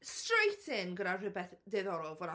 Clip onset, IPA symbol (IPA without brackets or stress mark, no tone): s